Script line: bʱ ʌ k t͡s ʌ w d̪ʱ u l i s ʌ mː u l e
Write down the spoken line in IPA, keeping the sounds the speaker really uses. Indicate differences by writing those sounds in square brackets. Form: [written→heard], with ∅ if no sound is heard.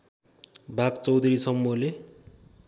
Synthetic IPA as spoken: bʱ [ʌ→a] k t͡s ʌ w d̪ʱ u [l→ɾ] i s ʌ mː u l e